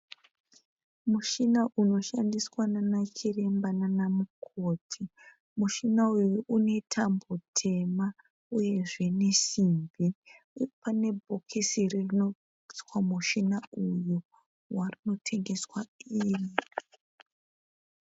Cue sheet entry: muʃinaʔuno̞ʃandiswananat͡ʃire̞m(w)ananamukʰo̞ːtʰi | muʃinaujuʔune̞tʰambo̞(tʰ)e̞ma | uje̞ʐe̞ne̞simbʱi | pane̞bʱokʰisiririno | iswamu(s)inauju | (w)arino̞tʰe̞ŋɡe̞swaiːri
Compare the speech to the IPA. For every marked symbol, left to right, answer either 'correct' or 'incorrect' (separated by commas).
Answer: incorrect, correct, incorrect, correct